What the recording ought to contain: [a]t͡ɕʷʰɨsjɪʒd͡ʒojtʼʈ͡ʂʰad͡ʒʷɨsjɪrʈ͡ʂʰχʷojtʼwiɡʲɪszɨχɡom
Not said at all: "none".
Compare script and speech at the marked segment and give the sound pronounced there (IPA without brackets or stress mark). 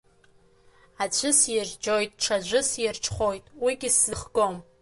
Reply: a